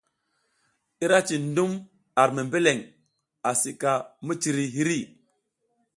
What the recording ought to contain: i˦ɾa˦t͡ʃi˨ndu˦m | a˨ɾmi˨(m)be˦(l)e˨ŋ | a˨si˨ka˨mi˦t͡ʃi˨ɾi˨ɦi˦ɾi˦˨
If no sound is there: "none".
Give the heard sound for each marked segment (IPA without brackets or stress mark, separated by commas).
m, l